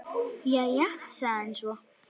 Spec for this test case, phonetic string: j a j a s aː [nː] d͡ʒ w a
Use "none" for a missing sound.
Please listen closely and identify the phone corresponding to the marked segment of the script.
n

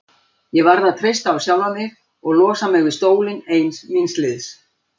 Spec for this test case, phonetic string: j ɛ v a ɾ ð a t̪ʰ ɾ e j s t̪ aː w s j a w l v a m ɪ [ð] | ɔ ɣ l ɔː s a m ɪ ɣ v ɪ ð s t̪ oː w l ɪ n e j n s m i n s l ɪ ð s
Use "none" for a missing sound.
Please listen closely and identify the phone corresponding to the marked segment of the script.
ɣ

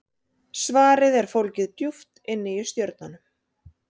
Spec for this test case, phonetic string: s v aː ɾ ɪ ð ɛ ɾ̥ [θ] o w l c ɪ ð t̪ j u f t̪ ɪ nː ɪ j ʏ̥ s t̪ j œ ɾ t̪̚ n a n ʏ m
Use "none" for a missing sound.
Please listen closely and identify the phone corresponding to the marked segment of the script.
f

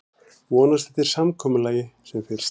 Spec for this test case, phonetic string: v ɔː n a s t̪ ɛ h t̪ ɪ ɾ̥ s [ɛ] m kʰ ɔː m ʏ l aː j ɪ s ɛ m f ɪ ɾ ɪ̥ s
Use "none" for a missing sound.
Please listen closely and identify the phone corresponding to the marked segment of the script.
a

